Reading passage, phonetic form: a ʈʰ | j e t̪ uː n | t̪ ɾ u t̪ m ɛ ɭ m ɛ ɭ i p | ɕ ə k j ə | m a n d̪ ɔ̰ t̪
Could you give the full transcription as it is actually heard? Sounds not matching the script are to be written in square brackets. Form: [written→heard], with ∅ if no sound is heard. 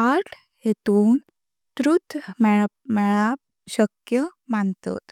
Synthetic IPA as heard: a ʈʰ | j e t̪ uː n | t̪ ɾ u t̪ m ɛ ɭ m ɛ ɭ [i→a] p | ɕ ə k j ə | m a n [d̪→t̪] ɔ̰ t̪